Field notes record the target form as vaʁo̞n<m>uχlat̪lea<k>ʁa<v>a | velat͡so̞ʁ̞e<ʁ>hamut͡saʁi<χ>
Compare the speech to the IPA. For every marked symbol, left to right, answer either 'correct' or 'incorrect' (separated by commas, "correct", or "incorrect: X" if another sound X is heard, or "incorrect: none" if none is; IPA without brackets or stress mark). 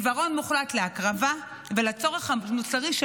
correct, correct, correct, incorrect: χ, incorrect: ʃ